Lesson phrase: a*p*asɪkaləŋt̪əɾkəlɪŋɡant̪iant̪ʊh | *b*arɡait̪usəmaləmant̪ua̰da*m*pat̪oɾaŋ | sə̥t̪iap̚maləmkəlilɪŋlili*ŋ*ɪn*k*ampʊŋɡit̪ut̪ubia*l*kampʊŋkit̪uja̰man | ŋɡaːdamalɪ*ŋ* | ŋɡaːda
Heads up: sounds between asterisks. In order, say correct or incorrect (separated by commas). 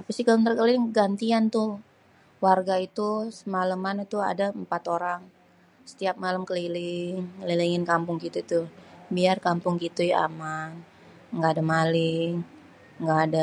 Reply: correct, incorrect, correct, correct, correct, incorrect, correct